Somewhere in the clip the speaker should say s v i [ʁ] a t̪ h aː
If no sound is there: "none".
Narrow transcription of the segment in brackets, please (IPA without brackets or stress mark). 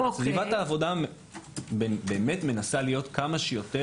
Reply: v